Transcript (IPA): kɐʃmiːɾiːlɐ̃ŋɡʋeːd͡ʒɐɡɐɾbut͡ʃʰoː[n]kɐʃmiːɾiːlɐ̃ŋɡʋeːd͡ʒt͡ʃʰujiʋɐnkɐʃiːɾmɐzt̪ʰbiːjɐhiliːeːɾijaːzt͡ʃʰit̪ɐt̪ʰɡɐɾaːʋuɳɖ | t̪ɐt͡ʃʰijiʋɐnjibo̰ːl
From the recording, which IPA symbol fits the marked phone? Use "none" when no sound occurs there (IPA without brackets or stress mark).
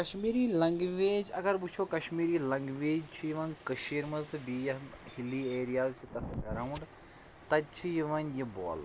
none